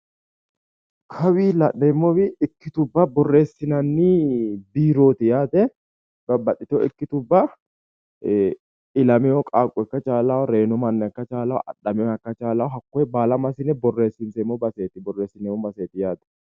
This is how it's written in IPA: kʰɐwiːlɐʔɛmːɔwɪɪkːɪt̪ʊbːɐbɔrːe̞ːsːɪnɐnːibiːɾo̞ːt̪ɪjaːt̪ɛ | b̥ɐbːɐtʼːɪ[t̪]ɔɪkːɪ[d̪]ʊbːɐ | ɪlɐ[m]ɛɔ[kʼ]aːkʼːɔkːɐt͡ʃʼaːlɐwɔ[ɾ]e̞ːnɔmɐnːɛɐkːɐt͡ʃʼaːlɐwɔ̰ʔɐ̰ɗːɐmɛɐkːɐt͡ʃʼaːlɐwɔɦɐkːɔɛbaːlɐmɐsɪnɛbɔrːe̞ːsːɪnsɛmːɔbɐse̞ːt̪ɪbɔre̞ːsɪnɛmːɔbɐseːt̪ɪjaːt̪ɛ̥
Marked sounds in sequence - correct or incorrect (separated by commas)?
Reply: correct, incorrect, correct, correct, correct